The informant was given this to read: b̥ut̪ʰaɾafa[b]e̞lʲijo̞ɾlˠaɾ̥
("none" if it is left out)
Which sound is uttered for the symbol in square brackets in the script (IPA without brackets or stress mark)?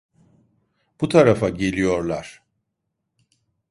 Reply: ɟ